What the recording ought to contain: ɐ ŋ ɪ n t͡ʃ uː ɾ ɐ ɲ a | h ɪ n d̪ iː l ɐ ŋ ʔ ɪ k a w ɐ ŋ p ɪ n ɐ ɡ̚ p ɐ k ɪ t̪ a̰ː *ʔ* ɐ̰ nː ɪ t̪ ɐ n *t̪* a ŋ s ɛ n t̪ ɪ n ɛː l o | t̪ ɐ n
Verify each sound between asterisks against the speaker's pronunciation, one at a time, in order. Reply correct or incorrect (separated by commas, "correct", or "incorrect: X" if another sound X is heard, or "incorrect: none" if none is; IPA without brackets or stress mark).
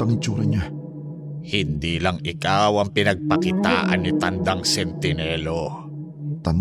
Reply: correct, incorrect: d̪